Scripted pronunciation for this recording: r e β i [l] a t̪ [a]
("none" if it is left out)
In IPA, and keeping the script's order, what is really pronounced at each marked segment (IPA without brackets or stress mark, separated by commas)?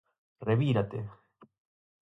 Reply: ɾ, e